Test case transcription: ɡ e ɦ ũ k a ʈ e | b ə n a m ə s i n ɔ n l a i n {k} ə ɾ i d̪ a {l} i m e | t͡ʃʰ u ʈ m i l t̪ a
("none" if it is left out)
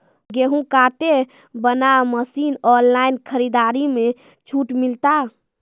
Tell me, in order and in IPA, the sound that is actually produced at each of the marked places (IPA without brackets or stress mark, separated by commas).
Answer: kʰ, ɾ